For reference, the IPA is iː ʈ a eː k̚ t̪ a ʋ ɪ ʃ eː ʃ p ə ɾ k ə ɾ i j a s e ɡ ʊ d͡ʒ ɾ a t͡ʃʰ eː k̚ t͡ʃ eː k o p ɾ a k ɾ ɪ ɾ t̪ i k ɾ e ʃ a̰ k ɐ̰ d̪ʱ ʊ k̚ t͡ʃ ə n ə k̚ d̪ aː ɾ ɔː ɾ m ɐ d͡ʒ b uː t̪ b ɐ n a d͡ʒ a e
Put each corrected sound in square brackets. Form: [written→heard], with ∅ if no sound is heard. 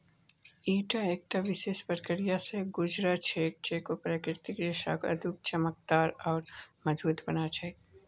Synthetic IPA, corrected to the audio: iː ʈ a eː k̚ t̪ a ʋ ɪ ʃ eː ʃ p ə ɾ k ə ɾ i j a s e ɡ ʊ d͡ʒ ɾ a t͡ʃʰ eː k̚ t͡ʃ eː k o p ɾ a k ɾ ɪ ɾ t̪ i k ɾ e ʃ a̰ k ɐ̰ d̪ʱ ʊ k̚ t͡ʃ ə [n→m] ə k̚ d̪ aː ɾ ɔː ɾ m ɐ d͡ʒ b uː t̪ b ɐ n a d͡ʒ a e